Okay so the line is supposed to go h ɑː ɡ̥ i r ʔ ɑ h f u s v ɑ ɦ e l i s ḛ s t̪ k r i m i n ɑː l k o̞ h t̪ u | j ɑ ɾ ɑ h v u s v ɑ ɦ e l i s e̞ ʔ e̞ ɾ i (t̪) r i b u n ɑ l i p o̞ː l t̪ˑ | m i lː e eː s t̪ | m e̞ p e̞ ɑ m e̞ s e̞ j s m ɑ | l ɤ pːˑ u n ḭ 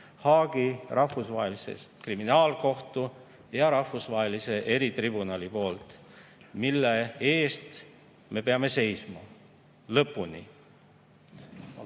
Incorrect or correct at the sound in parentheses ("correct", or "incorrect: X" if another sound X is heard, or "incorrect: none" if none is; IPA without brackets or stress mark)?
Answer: correct